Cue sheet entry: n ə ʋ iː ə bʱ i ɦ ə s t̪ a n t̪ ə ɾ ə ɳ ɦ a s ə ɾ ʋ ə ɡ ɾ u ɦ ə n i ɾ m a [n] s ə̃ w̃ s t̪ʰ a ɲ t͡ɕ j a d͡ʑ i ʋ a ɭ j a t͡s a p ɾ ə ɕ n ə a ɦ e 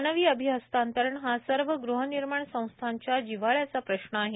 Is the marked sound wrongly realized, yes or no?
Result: yes